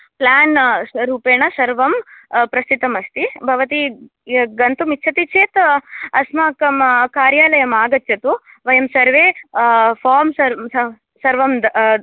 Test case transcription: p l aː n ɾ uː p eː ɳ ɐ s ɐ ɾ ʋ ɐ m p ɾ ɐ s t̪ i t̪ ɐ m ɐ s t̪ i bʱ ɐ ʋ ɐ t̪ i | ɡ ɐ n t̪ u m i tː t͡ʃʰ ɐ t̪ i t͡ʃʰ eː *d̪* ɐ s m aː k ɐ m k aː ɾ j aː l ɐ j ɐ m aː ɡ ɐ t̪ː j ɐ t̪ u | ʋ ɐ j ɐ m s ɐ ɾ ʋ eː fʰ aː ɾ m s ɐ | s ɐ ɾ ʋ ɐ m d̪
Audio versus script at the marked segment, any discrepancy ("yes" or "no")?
yes